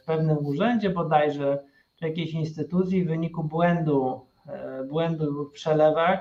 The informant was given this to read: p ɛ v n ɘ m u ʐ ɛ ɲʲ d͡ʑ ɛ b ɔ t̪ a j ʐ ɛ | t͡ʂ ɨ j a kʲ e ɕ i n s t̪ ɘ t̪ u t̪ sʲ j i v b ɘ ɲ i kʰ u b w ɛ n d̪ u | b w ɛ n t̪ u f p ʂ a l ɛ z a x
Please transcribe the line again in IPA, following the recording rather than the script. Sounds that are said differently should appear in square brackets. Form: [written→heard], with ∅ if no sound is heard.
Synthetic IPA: p ɛ v n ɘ m u ʐ ɛ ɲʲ d͡ʑ ɛ b ɔ [t̪→d̪] a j ʐ ɛ | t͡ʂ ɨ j a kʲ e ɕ i n s t̪ ɘ t̪ u t̪ sʲ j i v [b→v] ɘ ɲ i [kʰ→k] u b w ɛ n d̪ u | b w ɛ n [t̪→d̪] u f p ʂ [a→ɛ] l ɛ [z→v] a x